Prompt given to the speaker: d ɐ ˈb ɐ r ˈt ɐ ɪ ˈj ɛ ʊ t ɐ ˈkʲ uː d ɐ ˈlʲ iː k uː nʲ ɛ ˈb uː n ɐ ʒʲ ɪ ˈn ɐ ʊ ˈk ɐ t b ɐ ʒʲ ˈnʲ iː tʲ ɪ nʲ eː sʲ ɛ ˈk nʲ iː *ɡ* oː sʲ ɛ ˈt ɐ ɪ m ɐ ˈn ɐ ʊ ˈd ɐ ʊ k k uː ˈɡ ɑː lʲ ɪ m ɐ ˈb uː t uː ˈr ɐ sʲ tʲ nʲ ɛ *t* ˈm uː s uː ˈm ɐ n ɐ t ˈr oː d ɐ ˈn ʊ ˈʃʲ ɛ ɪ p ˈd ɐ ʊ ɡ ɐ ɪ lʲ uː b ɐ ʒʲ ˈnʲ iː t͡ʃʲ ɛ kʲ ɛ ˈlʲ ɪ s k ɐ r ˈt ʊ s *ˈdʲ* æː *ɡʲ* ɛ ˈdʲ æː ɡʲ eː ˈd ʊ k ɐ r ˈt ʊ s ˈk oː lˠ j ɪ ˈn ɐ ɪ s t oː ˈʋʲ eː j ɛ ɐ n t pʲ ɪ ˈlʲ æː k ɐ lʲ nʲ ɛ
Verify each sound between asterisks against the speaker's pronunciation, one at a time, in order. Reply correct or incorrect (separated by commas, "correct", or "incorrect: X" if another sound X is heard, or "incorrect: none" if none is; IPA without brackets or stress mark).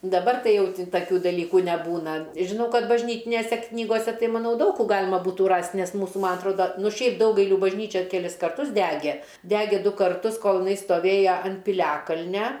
correct, incorrect: s, correct, correct